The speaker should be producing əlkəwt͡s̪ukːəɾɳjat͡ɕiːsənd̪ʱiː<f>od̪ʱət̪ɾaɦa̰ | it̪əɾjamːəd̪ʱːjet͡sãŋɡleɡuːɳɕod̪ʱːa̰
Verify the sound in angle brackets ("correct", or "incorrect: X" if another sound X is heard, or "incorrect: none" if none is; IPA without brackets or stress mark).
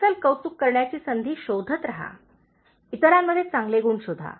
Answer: incorrect: ɕ